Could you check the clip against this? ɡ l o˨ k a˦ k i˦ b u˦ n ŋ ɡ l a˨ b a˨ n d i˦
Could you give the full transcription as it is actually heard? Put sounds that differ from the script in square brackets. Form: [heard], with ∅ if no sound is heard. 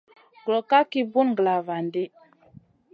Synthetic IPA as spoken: ɡ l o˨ k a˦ k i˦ b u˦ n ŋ ɡ l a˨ [v] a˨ n d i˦